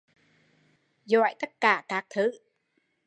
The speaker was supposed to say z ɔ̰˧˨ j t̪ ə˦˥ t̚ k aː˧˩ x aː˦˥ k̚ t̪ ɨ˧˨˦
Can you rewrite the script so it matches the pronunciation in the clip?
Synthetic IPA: z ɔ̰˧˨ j t̪ ə˦˥ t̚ k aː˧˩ k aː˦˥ k̚ t̪ʰ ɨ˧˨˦

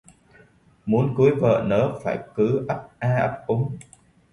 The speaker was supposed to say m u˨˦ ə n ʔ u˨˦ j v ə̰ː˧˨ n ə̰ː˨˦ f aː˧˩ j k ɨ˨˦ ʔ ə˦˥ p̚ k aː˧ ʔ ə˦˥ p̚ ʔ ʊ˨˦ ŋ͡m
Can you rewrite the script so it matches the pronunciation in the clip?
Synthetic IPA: m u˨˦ ə n k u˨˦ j v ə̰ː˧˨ n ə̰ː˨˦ f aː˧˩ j k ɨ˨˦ ʔ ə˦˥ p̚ ʔ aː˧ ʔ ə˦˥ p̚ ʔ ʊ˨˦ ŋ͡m

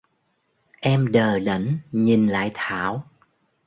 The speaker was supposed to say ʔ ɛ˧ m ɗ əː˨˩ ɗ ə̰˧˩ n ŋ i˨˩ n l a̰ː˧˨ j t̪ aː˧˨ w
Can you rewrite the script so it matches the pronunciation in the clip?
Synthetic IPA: ʔ ɛ˧ m ɗ əː˨˩ ɗ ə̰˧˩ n ɲ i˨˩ n l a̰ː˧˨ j t̪ʰ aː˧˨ w

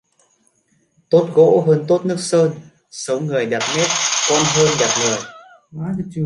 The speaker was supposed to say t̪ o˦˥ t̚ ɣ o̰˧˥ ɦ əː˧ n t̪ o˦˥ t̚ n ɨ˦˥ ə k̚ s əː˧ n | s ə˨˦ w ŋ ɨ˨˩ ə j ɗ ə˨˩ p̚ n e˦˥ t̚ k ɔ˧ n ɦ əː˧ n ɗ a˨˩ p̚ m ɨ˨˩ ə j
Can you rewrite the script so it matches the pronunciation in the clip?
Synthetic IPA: t̪ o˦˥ t̚ ɣ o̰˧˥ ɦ əː˧ n t̪ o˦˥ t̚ n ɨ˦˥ ə k̚ s əː˧ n | s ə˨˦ w ŋ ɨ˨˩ ə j ɗ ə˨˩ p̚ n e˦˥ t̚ k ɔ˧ n ɦ əː˧ n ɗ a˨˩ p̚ ŋ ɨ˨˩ ə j

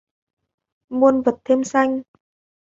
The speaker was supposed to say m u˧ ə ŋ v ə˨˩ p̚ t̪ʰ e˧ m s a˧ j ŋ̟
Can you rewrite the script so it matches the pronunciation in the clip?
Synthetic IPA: m u˧ ə n v ə˨˩ t̚ t̪ʰ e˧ m s a˧ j ŋ̟

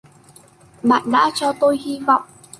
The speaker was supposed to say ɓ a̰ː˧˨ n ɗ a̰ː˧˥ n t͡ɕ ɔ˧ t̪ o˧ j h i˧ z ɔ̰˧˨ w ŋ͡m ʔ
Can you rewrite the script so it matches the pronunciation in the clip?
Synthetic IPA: ɓ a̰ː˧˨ n ɗ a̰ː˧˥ t͡ɕ ɔ˧ t̪ o˧ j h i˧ v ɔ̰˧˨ w ŋ͡m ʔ

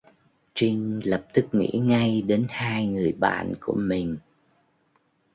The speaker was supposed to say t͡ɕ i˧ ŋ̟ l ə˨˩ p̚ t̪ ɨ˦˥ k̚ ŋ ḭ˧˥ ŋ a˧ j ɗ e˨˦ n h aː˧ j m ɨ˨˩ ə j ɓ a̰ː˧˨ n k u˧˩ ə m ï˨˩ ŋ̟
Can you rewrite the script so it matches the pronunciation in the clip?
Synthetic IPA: t͡ɕ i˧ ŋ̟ l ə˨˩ p̚ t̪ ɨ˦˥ k̚ ŋ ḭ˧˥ ŋ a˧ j ɗ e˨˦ n h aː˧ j ŋ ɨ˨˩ ə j ɓ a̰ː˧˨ n k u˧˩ ə m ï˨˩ ŋ̟

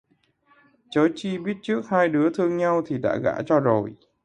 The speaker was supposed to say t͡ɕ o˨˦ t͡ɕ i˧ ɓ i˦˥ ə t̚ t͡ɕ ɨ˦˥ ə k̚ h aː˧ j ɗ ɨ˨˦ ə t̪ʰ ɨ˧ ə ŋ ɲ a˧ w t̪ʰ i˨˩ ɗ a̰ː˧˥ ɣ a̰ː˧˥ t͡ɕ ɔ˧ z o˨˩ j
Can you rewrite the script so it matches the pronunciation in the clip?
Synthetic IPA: t͡ɕ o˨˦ t͡ɕ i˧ ɓ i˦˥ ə t̚ t͡ɕ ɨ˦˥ ə k̚ h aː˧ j ɗ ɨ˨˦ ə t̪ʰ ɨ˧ ə ŋ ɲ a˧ w t̪ʰ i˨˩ ɗ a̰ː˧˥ ɣ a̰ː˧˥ t͡ɕ ɔ˧ z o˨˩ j

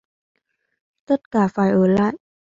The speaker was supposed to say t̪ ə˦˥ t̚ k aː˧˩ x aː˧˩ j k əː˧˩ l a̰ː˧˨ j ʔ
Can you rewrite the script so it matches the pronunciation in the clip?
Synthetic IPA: t̪ ə˦˥ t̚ k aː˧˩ f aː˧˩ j ʔ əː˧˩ l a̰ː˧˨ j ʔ

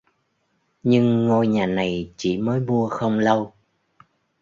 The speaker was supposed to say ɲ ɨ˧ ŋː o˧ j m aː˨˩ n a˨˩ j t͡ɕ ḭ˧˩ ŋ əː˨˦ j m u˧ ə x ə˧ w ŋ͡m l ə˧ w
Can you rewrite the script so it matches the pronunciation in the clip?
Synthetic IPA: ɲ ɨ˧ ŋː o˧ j ɲ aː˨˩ n a˨˩ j t͡ɕ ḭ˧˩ m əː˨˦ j m u˧ ə x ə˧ w ŋ͡m l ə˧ w

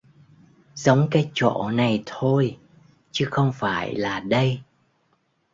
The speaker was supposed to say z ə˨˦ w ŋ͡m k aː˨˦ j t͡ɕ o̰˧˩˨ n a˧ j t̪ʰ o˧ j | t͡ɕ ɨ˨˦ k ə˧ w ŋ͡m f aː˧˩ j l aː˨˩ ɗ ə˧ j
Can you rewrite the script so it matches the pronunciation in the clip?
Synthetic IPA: z ə˨˦ w ŋ͡m k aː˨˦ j t͡ɕ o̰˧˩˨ n a˨˩ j t̪ʰ o˧ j | t͡ɕ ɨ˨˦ x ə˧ w ŋ͡m f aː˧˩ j l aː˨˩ ɗ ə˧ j

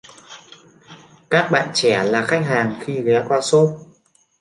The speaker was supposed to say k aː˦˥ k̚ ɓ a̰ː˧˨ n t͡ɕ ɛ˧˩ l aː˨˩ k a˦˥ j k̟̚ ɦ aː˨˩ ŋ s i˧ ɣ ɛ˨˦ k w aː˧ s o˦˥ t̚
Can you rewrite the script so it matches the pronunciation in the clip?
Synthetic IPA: k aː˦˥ k̚ ɓ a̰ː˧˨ n t͡ɕ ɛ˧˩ l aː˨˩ x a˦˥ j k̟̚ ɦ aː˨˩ ŋ x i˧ ɣ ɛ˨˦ k w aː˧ s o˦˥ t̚

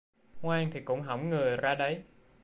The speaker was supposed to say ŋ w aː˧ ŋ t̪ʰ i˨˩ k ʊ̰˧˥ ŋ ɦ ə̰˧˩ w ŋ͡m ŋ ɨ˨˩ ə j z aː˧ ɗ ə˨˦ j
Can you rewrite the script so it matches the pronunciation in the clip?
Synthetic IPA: ŋ w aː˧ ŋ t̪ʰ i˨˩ k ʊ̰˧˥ ŋ͡m ɦ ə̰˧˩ w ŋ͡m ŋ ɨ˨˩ ə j z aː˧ ɗ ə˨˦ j

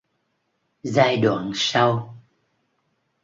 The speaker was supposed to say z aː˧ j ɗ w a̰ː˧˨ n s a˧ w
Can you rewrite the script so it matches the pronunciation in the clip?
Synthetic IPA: z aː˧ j ɗ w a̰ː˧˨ n s a˧ w

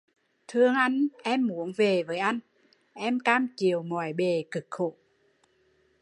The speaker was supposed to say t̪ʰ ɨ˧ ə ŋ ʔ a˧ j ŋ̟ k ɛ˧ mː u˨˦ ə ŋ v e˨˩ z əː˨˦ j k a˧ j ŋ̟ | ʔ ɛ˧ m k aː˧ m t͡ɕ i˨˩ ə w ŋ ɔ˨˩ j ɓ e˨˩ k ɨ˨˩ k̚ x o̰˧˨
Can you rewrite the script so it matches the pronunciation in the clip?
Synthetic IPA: t̪ʰ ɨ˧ ə ŋ ʔ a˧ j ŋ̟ ʔ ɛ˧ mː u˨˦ ə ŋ v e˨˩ v əː˨˦ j ʔ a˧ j ŋ̟ | ʔ ɛ˧ m k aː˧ m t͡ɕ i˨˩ ə w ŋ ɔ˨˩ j ɓ e˨˩ k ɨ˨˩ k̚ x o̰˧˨

